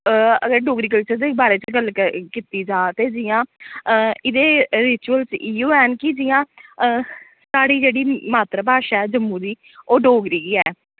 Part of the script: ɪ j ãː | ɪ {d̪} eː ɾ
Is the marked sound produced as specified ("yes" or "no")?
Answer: yes